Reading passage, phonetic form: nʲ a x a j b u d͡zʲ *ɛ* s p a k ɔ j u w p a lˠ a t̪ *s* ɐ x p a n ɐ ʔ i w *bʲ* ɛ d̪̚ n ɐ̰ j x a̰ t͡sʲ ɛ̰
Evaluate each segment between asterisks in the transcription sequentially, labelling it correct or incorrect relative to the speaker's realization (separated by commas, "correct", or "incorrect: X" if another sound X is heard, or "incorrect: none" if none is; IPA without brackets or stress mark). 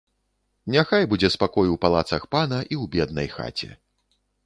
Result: correct, correct, correct